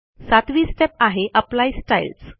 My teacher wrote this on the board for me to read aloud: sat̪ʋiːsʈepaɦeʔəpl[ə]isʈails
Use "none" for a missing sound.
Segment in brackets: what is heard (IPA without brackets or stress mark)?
a